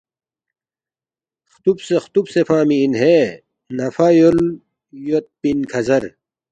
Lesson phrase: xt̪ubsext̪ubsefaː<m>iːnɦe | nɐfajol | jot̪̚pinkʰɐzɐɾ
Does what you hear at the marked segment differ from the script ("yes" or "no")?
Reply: no